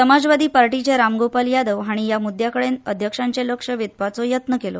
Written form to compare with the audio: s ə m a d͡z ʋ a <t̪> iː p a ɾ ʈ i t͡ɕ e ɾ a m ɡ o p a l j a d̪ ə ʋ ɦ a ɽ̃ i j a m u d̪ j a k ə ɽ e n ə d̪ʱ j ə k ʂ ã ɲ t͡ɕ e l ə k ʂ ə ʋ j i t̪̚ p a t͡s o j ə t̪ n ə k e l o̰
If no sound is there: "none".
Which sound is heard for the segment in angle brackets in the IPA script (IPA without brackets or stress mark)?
d̪